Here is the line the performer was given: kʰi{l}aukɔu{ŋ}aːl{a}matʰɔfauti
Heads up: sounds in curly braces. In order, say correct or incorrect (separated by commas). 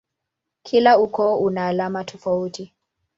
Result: correct, incorrect, correct